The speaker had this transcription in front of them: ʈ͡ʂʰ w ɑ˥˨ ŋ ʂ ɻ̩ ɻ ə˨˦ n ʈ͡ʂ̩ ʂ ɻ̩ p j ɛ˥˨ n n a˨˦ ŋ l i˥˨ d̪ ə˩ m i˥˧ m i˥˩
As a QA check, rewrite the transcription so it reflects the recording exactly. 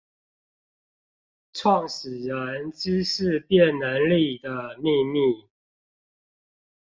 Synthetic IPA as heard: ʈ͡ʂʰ w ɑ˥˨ ŋ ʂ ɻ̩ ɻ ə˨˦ n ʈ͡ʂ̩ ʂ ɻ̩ p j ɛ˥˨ n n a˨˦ n l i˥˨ d̪ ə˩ m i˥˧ m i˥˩

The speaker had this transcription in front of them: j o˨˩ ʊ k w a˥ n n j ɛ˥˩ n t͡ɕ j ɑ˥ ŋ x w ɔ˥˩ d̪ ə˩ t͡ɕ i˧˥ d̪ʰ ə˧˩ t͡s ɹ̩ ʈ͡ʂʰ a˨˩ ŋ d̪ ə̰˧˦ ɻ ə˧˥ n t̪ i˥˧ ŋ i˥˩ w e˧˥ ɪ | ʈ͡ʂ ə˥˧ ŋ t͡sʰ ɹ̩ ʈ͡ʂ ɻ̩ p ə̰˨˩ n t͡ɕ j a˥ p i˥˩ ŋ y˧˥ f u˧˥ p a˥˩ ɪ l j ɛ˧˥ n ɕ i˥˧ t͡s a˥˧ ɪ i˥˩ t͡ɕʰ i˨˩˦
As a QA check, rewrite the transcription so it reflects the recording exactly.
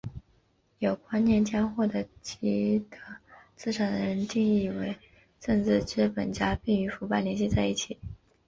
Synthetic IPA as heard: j o˨˩ ʊ k w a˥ n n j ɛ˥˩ n t͡ɕ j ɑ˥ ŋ x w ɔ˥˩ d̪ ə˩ t͡ɕ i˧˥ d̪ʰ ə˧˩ t͡s ɹ̩ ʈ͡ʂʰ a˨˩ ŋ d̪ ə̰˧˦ ɻ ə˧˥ n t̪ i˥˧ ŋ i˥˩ w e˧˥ ɪ | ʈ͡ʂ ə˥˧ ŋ t͡s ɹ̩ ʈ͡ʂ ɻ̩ p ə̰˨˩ n t͡ɕ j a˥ p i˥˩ ŋ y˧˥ f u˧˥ p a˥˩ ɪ l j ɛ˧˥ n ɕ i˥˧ t͡s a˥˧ ɪ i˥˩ t͡ɕʰ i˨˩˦

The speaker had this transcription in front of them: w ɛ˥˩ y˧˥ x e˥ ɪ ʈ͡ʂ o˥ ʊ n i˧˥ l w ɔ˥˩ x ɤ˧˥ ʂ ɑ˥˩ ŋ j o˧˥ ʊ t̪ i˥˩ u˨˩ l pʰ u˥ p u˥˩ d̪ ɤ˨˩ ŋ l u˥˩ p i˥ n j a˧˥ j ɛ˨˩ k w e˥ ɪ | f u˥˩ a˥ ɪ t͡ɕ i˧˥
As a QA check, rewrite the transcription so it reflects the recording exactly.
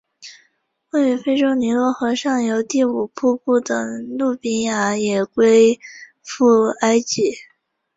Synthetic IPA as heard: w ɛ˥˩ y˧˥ f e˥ ɪ ʈ͡ʂ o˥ ʊ n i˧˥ l w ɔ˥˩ x ɤ˧˥ ʂ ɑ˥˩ ŋ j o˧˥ ʊ t̪ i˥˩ u˨˩ pʰ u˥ p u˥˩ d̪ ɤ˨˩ ŋ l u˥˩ p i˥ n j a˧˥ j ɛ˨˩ k w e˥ ɪ | f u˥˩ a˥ ɪ t͡ɕ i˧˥

